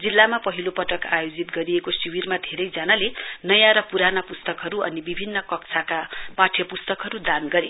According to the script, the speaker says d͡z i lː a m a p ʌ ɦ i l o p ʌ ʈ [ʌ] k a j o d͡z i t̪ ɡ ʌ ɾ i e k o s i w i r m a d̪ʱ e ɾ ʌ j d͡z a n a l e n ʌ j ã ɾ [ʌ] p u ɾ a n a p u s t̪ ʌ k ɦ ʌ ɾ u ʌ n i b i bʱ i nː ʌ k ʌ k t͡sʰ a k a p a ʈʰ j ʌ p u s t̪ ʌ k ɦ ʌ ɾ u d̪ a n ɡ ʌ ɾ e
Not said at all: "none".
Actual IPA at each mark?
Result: ʌ, ʌ

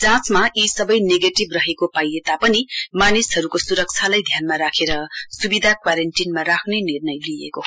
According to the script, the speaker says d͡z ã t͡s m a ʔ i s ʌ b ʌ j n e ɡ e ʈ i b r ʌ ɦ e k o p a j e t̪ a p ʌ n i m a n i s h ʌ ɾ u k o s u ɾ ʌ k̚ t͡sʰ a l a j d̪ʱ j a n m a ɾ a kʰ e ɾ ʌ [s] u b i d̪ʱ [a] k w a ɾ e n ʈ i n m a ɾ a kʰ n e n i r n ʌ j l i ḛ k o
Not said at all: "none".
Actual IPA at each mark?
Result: s, a

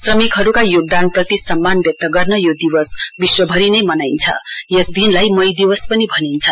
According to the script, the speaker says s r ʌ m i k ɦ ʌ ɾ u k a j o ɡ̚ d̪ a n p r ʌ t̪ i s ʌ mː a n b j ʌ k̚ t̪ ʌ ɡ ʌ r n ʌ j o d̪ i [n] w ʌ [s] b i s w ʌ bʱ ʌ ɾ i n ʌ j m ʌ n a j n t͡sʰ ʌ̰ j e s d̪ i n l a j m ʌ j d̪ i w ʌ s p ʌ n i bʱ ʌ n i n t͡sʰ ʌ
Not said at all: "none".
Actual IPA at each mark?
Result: none, s

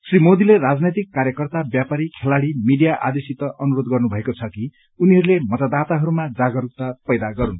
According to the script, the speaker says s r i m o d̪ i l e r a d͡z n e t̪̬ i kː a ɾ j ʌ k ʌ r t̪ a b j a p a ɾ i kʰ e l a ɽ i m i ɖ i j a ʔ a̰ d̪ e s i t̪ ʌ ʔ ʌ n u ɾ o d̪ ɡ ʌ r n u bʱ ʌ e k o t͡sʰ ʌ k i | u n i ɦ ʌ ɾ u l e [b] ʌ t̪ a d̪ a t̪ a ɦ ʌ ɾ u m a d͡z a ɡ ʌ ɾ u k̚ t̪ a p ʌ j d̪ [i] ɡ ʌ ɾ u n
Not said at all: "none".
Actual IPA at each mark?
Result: m, a

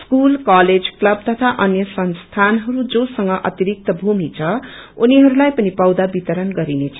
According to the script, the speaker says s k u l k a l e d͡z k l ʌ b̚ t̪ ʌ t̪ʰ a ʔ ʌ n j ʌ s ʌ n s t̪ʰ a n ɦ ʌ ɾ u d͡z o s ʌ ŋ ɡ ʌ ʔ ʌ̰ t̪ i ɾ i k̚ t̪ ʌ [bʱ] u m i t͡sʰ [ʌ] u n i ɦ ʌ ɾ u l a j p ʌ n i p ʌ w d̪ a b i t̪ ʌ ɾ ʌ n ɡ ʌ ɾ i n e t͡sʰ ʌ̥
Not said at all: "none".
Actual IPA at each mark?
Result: bʱ, ʌ

